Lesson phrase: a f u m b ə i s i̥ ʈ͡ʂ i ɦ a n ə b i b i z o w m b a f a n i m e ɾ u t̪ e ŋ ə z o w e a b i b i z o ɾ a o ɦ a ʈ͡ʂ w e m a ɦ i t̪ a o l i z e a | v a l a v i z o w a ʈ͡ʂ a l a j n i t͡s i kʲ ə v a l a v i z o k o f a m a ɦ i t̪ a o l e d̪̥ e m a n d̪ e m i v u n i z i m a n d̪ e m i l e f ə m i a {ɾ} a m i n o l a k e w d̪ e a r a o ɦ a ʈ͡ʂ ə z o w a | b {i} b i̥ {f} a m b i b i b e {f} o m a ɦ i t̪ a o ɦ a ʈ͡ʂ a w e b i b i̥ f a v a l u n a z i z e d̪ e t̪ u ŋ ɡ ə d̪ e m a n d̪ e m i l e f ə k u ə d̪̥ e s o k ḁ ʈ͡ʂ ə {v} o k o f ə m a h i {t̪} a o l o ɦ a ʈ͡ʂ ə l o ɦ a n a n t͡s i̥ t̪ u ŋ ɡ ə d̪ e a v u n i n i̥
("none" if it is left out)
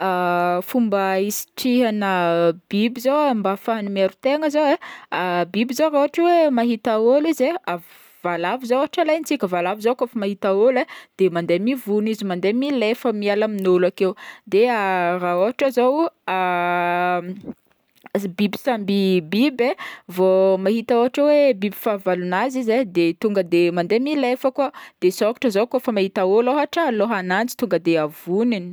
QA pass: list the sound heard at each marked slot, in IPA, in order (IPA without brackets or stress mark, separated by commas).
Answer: l, i, s, v, z, t̪